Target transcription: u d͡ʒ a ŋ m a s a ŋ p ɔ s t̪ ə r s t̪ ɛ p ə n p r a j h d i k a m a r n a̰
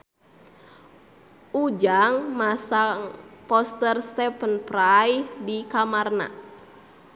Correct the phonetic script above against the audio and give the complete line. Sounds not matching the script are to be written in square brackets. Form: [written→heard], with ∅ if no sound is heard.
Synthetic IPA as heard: u d͡ʒ a ŋ m a s a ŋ p ɔ s t̪ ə r s t̪ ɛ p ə n p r a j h d i k a m a r n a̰